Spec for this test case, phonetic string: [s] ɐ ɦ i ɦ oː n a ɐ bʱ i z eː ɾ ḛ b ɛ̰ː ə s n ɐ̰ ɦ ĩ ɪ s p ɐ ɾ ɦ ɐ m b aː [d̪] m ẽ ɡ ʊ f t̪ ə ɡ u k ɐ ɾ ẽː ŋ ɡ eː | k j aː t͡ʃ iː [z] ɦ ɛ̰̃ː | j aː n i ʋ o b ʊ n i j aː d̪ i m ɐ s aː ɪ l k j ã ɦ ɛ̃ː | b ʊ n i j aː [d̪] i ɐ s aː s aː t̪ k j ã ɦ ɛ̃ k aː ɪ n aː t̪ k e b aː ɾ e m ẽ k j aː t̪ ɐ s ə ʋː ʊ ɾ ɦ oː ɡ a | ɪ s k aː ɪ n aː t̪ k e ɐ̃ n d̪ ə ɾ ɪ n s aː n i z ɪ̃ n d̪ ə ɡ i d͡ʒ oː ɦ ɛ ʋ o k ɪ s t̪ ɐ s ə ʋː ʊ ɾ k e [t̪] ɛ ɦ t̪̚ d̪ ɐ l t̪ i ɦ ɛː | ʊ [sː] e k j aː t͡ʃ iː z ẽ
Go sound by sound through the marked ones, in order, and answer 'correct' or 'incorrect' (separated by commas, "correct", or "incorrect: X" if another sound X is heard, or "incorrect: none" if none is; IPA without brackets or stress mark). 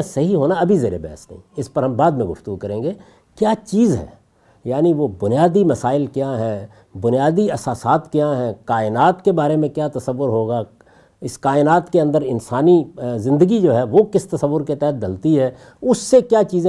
correct, correct, correct, correct, correct, correct